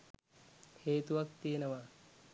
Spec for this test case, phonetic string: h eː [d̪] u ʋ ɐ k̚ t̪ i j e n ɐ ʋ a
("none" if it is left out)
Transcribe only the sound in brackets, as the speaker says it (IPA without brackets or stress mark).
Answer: t̪